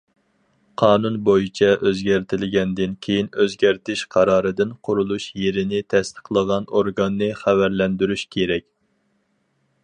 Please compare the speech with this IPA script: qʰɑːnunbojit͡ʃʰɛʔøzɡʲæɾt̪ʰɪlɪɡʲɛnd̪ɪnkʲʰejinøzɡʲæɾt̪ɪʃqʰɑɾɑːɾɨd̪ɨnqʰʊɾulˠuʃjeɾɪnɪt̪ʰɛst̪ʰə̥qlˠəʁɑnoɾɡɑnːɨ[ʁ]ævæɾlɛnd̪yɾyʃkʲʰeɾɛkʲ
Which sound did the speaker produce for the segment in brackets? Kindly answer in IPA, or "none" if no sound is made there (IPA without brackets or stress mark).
χ